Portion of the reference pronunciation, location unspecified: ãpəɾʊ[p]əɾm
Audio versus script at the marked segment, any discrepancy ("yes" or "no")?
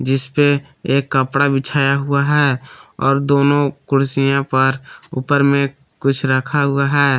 no